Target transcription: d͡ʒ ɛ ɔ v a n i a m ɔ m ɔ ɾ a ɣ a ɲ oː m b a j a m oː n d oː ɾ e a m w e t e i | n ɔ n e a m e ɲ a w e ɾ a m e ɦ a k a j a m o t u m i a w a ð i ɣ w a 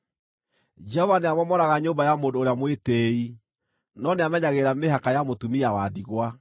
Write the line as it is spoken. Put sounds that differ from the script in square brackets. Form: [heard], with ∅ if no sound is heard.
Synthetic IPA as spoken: d͡ʒ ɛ ɔ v a n [e] a m ɔ m ɔ ɾ a ɣ a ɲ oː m b a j a m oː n d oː ɾ e a m w e t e i | n ɔ n e a m [ɛ] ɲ a [ɣ] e ɾ a m e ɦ a k a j a m o t u m i a w a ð i ɣ w a